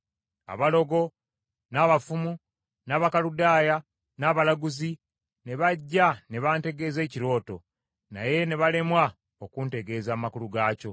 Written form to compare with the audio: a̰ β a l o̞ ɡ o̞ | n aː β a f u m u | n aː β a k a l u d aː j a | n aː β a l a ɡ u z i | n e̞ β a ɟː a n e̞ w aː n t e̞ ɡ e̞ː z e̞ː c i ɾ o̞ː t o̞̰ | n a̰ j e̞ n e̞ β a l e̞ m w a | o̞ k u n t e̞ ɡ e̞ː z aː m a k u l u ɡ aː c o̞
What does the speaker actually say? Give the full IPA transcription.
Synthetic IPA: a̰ β a l o̞ ɡ o̞ | n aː β a f u m u | n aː β a k a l u d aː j a | n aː β a l a ɡ u z i | n e̞ β a ɟː a n e̞ β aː n t e̞ ɡ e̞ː z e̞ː c i ɾ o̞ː t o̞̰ | n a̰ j e̞ n e̞ β a l e̞ m w a | o̞ k u n t e̞ ɡ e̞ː z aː m a k u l u ɡ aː c o̞